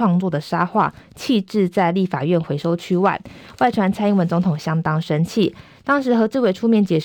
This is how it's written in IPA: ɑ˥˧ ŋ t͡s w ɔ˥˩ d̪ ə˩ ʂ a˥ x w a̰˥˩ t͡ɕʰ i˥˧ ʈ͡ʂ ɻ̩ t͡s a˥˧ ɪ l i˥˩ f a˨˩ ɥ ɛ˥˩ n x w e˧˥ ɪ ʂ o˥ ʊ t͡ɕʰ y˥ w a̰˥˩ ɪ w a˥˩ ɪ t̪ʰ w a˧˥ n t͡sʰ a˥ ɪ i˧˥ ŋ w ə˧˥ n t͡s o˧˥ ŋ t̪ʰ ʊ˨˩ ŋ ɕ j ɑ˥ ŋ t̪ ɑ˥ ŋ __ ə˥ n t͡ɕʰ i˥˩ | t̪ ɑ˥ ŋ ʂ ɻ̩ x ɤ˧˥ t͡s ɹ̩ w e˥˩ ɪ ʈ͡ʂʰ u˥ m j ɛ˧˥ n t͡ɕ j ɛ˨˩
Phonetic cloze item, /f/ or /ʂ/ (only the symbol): ʂ